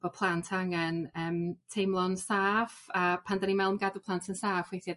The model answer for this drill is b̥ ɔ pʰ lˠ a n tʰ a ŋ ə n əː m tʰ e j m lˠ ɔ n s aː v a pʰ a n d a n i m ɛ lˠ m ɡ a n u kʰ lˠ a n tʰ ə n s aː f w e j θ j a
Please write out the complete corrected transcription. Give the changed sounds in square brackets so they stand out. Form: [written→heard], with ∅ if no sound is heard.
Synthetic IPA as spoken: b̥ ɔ pʰ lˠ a n tʰ a ŋ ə n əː m tʰ e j m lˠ ɔ n s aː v a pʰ a n d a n i m ɛ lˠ m ɡ a [n→d] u [kʰ→pʰ] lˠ a n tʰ ə n s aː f w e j θ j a